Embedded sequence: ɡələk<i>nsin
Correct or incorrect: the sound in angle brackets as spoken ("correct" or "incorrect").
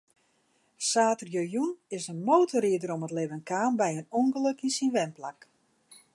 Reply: correct